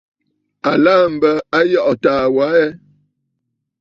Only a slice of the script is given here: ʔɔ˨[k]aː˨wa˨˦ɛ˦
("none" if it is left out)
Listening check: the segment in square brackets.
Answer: t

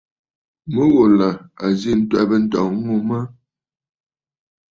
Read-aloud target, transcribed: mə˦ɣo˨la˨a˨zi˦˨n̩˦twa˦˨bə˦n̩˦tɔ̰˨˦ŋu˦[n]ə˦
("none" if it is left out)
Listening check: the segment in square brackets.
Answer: m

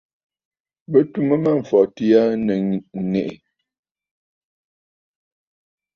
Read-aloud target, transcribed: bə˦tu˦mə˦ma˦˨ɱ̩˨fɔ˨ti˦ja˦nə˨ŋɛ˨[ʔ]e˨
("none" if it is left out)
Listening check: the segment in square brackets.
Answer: ʔ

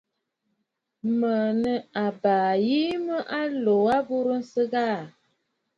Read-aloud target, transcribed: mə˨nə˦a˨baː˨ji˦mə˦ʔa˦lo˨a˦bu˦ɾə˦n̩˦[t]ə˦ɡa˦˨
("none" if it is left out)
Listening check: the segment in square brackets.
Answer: s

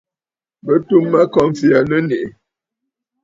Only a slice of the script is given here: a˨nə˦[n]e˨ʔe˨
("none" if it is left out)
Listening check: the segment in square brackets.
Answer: n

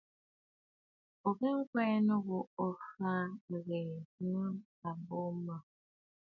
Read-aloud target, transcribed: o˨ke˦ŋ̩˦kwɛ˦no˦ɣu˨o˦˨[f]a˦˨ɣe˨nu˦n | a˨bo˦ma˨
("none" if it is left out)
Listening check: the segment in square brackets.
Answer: f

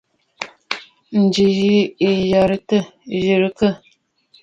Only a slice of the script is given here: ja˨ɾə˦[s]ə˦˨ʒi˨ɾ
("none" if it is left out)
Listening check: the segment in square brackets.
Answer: t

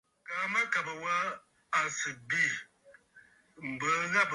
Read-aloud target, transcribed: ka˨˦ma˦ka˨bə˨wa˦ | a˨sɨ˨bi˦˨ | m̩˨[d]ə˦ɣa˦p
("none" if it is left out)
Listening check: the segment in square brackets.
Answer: b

